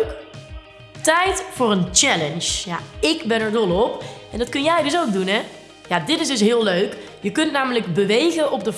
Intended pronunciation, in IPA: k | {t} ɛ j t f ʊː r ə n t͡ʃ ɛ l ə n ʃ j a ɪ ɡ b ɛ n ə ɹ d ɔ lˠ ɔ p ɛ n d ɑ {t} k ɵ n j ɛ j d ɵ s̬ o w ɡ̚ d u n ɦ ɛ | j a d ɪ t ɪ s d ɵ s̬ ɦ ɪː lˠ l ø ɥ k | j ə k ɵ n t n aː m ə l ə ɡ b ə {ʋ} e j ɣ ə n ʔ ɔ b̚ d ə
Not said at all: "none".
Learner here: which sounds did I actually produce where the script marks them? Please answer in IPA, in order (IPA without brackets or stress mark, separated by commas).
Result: t, t, ʋ